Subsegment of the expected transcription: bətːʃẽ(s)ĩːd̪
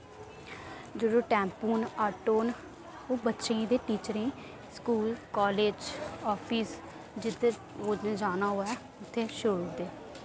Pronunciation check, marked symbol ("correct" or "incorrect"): incorrect